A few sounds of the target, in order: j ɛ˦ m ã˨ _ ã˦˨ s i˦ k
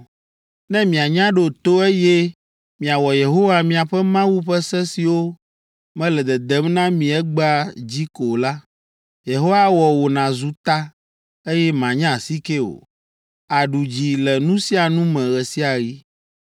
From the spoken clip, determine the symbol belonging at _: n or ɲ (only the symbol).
ɲ